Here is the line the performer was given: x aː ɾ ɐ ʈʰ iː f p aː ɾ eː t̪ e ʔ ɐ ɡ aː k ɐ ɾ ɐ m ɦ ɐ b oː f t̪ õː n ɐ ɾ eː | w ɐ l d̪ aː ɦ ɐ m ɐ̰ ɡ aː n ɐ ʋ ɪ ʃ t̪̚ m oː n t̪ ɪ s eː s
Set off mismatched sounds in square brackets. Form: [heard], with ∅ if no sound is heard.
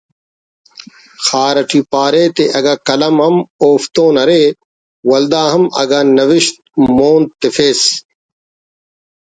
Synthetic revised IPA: x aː ɾ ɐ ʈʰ iː [∅] p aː ɾ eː t̪ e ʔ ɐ ɡ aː k ɐ [l] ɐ m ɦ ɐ [m] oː f t̪ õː n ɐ ɾ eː | w ɐ l d̪ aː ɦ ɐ m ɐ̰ ɡ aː n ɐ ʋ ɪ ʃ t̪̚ m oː n t̪ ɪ [f] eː s